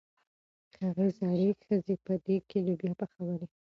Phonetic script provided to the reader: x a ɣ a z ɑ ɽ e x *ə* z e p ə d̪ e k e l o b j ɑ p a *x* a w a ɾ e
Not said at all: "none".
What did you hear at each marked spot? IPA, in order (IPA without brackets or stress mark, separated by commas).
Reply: ə, x